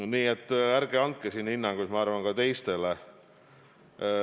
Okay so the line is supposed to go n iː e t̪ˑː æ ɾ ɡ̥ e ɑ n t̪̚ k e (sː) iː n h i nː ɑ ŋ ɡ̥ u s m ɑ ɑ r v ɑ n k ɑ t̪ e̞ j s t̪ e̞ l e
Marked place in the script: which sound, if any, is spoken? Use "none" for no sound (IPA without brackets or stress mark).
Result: s